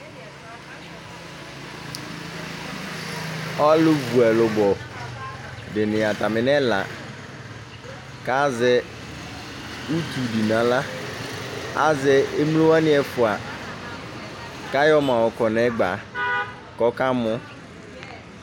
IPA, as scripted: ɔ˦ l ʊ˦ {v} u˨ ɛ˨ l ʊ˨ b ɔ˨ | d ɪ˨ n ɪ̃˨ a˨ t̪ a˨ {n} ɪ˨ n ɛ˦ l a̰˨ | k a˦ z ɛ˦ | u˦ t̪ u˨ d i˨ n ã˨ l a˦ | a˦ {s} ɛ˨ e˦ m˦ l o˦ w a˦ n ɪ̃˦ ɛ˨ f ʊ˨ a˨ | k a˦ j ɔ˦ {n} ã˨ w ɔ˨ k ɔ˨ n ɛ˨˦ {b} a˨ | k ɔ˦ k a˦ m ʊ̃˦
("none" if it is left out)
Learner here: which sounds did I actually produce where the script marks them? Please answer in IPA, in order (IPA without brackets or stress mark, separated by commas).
v, m, z, m, ɡ͡b